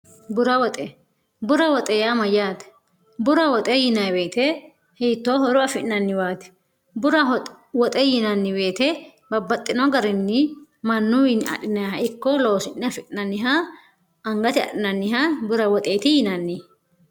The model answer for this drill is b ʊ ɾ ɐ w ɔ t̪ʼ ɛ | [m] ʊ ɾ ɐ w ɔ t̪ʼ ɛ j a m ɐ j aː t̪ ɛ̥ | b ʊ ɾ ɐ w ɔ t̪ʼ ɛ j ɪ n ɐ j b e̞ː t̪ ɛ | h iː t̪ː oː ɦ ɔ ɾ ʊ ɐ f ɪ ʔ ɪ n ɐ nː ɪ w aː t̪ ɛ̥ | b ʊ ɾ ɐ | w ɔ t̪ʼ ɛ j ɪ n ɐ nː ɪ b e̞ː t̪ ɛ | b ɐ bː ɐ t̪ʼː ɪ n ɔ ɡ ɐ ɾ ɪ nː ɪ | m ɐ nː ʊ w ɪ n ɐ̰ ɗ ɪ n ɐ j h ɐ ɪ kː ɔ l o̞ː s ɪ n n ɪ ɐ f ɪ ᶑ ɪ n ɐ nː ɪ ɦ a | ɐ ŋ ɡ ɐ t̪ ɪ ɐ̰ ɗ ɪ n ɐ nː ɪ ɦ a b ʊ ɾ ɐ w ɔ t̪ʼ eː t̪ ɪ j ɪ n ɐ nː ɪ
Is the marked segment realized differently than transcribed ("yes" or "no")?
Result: yes